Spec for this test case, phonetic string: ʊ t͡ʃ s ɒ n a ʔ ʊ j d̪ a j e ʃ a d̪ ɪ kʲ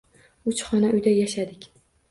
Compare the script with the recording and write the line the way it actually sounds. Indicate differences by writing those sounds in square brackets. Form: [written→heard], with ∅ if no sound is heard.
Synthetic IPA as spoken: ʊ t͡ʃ [s→χ] ɒ n a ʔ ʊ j d̪ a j [e→a] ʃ a d̪ ɪ kʲ